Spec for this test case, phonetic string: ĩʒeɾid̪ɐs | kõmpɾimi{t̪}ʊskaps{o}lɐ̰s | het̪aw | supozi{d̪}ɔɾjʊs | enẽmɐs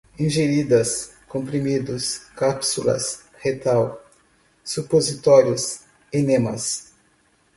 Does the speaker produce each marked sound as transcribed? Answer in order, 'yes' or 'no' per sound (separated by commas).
no, no, no